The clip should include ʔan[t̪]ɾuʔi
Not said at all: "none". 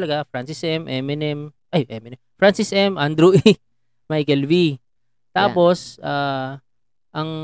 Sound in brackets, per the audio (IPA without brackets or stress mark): d̪